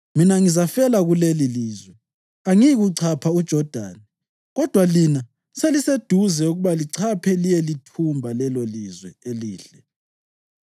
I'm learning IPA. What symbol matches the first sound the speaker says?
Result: m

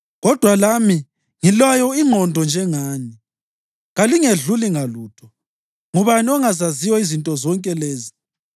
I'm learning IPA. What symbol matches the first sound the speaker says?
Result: ɣ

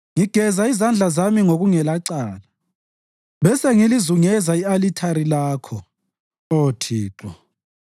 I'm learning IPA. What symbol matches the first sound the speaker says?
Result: ŋ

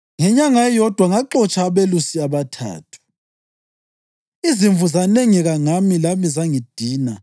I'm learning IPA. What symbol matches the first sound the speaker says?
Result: ŋ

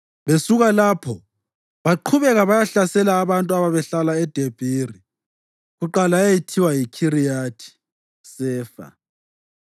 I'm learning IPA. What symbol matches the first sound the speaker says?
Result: β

